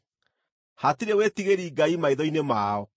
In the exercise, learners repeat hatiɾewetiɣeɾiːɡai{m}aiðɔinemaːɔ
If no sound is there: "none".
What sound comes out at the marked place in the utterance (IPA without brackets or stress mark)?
m